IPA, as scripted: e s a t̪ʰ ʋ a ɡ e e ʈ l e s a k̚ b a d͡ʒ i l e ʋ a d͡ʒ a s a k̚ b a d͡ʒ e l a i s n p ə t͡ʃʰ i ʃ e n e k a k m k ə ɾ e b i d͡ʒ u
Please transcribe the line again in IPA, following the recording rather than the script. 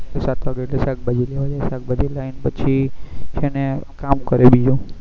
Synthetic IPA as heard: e s a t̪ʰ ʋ a ɡ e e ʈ l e s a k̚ b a d͡ʒ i l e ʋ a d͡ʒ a s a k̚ b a d͡ʒ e l a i n p ə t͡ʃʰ i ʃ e n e k a m k ə ɾ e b i d͡ʒ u

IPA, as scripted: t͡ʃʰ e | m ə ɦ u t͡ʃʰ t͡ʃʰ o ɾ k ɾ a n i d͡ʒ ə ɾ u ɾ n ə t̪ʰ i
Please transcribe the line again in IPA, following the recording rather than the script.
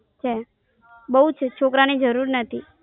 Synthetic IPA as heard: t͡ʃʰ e | b ə ɦ u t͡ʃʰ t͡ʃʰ o k ɾ a n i d͡ʒ ə ɾ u ɾ n ə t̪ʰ i

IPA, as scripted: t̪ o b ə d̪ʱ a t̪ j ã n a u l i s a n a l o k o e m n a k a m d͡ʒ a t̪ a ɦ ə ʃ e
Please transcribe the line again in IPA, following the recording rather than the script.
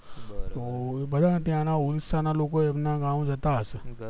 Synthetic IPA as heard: t̪ o b ə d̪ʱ a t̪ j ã n a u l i s a n a l o k o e m n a ɡ a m d͡ʒ ə t̪ a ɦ ə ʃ e

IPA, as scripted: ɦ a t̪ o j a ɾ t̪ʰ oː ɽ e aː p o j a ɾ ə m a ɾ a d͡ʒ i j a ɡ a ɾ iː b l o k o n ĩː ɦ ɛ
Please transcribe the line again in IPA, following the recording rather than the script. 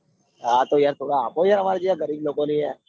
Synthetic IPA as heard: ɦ a t̪ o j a ɾ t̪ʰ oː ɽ a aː p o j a ɾ ə m a ɾ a d͡ʒ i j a ɡ ə ɾ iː b l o k o n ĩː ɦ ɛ

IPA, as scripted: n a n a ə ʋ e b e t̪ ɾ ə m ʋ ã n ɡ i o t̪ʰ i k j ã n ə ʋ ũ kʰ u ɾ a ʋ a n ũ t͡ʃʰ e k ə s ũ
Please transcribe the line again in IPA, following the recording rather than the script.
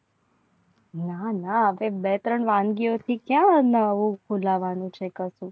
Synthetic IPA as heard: n a n a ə ʋ e b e t̪ ɾ ə ɳ ʋ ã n ɡ i o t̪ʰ i k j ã n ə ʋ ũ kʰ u l a ʋ a n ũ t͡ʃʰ e k ə s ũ

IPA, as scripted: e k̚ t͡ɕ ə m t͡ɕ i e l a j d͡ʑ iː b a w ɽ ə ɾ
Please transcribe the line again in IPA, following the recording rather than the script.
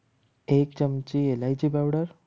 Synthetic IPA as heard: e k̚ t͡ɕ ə m t͡ɕ i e l a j d͡ʑ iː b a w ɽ ə ɾ

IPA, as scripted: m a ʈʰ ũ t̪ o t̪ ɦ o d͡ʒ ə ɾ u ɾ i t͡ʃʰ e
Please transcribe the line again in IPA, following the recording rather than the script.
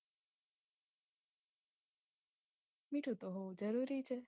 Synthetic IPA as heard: m i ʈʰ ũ t̪ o ɦ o d͡ʒ ə ɾ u ɾ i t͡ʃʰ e

